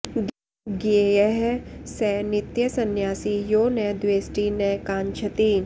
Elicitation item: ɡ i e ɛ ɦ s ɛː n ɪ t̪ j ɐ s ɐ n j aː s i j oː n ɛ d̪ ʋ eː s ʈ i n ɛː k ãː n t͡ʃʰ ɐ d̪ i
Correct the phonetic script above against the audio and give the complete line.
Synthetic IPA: ɡ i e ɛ ɦ s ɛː n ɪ t̪ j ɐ s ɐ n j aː s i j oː n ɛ d̪ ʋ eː s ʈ i n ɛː k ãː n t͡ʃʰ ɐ t̪ i